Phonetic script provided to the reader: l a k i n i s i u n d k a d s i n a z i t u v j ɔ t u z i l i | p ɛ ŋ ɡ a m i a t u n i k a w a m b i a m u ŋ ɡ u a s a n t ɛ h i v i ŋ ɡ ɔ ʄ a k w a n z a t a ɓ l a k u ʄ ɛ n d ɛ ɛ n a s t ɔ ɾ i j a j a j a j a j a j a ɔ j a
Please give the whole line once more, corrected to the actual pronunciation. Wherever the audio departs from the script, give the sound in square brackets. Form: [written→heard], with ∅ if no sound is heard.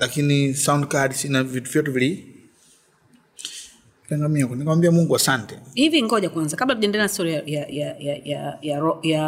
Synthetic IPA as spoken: l a k i n i s [i→a] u n d k a d s i n a [z→v] i t u v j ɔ t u [z→v] i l i | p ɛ ŋ ɡ a m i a [t→k] u n i k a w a m b i a m u ŋ ɡ u a s a n t ɛ h i v i ŋ ɡ ɔ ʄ a k w a n z a [t→k] a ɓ l a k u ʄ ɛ n d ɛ ɛ n a s t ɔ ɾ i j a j a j a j a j a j a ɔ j a